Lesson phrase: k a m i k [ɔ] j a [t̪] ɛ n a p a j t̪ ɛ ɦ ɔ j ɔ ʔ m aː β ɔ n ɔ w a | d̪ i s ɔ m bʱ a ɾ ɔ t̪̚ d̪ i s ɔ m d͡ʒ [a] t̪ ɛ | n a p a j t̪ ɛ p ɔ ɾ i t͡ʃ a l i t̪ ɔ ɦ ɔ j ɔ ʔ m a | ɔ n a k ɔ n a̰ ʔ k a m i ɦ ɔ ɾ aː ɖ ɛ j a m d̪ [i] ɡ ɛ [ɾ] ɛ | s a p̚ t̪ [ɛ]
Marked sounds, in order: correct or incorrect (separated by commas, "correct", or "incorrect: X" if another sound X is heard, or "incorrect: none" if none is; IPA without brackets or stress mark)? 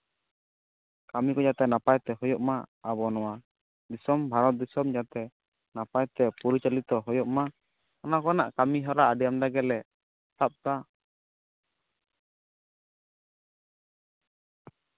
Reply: correct, correct, correct, incorrect: a, incorrect: l, incorrect: a